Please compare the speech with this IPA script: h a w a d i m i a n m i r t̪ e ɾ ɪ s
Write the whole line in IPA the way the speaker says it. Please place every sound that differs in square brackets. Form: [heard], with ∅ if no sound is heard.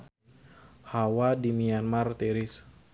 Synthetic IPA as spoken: h a w a d i m i a n m [a] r t̪ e ɾ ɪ s